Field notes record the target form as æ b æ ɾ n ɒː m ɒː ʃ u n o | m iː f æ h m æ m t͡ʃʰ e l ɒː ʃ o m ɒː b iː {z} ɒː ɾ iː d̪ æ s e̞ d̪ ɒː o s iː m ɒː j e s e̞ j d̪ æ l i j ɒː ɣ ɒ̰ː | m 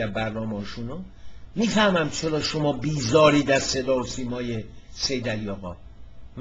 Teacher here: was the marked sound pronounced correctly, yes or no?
yes